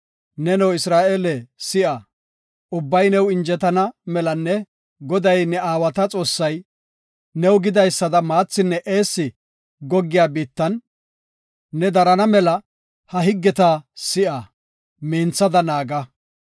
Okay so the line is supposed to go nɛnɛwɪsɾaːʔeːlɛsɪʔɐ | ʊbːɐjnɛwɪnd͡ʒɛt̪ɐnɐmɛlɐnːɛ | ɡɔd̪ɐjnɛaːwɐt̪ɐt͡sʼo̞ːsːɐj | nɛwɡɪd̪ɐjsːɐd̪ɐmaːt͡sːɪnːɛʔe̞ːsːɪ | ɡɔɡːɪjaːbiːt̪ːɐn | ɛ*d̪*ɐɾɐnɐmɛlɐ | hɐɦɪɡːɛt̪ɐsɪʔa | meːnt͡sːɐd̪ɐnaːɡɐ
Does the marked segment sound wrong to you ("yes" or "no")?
no